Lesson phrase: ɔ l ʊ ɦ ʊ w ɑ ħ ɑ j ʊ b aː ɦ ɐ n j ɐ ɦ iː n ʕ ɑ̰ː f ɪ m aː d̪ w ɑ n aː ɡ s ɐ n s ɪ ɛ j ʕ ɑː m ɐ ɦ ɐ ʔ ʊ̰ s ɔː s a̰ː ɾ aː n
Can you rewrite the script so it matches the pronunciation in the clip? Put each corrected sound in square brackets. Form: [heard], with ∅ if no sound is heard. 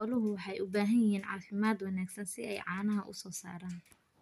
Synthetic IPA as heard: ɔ l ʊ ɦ ʊ w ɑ ħ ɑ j ʊ b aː ɦ ɐ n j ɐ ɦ iː n ʕ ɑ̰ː f ɪ m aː d̪ w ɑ n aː ɡ s ɐ n s ɪ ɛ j ʕ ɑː [n] ɐ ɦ ɐ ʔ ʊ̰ s ɔː s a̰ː ɾ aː n